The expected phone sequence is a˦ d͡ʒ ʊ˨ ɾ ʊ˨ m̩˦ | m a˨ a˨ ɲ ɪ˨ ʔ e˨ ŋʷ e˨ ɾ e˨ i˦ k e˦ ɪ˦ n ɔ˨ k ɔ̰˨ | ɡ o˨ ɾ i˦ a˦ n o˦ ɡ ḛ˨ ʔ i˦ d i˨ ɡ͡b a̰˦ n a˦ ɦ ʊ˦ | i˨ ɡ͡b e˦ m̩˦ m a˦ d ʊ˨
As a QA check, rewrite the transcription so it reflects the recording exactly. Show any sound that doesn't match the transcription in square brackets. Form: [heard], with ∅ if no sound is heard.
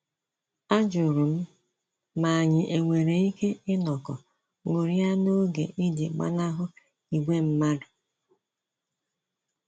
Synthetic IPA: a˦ d͡ʒ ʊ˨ ɾ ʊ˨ m̩˦ | m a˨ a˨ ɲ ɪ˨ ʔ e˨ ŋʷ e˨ ɾ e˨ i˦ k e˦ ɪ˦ n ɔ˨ k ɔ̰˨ | [ŋ] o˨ ɾ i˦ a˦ n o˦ ɡ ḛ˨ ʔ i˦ d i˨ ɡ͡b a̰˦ n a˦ ɦ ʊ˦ | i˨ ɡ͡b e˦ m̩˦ m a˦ d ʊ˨